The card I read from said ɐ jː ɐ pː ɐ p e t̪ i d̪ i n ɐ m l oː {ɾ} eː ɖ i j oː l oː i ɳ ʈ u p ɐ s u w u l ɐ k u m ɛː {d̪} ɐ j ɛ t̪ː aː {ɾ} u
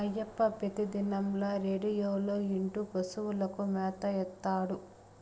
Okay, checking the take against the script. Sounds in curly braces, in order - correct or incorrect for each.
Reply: correct, incorrect: t̪, incorrect: ɽ

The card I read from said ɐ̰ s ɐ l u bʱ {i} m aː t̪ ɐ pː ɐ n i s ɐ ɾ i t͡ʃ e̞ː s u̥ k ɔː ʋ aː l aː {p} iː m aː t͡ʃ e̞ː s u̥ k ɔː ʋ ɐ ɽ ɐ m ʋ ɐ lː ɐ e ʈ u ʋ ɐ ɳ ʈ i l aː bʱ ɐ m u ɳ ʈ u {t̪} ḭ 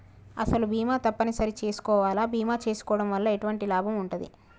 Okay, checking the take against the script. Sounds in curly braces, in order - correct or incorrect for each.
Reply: incorrect: iː, incorrect: b, incorrect: d̪

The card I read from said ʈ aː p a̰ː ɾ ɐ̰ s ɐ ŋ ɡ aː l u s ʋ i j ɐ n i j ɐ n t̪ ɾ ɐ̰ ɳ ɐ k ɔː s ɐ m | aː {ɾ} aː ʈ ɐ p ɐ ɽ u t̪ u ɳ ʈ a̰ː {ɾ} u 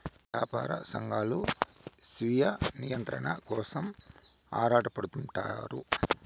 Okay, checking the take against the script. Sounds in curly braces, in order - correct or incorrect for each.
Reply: correct, correct

